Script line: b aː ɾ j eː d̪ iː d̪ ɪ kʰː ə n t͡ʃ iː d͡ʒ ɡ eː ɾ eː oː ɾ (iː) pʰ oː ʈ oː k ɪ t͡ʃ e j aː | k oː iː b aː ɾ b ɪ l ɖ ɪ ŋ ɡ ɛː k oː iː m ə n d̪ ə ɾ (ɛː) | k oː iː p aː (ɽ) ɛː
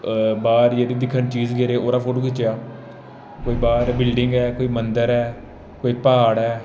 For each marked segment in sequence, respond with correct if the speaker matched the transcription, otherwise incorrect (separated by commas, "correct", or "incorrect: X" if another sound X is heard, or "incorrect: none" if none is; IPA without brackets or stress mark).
incorrect: aː, correct, correct